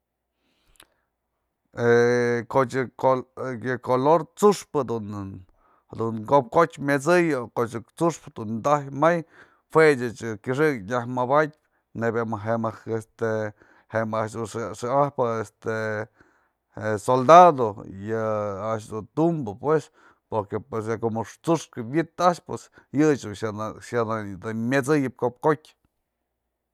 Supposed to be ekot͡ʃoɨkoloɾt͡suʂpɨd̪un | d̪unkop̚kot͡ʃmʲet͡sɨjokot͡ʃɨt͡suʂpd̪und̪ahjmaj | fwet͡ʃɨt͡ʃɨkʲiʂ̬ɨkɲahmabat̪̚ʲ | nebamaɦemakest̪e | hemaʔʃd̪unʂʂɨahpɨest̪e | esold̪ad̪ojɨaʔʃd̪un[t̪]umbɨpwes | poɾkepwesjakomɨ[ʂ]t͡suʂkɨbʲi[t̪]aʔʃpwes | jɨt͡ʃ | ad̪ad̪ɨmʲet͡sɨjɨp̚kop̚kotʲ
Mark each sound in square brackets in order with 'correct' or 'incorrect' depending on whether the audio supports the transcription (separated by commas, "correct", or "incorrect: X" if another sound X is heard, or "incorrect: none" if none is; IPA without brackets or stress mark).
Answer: correct, correct, correct